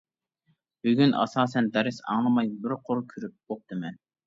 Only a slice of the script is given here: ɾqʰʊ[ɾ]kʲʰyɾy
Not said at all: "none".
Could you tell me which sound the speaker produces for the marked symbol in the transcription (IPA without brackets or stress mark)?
ɾ